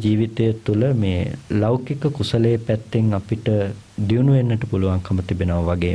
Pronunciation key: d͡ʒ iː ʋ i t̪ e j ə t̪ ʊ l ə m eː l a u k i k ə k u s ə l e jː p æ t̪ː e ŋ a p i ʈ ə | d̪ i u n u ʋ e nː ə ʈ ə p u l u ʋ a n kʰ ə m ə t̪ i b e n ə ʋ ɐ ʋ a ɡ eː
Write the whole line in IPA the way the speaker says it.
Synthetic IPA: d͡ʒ iː ʋ i t̪ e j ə t̪ u l ə m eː l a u k i k ə k u s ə l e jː p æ t̪ː e ŋ a p i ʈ ə | d̪ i u n u ʋ e nː ə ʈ ə p u l u ʋ a ŋ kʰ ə m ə t̪ i b e n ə ʋ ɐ ʋ a ɡ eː